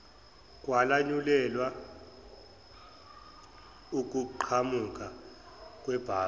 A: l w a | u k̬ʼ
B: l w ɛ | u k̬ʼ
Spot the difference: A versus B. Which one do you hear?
A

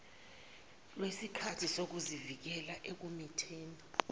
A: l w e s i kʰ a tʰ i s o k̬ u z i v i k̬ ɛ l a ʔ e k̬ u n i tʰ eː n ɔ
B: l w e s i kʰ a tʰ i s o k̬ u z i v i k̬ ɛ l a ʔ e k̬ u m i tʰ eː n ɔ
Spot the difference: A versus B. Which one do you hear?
B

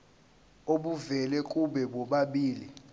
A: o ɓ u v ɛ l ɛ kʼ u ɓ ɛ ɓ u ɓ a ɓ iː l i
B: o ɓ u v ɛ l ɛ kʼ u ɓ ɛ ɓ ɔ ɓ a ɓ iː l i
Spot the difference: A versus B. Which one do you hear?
B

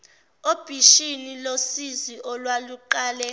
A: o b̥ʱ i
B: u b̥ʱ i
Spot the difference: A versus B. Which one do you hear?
A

